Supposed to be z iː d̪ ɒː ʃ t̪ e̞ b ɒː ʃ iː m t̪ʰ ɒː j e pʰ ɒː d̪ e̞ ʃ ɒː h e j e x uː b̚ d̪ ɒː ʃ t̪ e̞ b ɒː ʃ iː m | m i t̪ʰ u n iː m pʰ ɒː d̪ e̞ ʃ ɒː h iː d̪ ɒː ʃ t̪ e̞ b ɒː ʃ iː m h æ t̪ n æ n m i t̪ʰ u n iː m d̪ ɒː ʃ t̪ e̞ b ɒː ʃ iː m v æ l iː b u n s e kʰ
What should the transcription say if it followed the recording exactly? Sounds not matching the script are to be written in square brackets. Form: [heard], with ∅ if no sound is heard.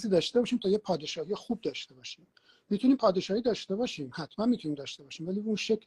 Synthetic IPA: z iː d̪ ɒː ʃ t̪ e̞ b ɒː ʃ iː m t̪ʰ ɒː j e pʰ ɒː d̪ e̞ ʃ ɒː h [i] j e x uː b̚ d̪ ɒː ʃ t̪ e̞ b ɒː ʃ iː m | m i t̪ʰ u n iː m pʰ ɒː d̪ e̞ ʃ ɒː h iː d̪ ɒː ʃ t̪ e̞ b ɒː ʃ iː m h æ t̪ [m] æ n m i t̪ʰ u n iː m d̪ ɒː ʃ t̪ e̞ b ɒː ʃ iː m v æ l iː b u n [ʃ] e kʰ